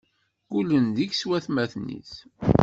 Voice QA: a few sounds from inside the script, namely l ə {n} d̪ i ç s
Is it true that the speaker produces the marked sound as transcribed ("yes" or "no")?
yes